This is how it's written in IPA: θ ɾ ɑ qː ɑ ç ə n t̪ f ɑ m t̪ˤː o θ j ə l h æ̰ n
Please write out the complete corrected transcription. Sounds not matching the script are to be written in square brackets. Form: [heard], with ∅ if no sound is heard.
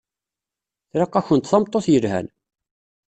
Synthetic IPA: θ ɾ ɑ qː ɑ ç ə n t̪ [θ] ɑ m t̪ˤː o θ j ə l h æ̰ n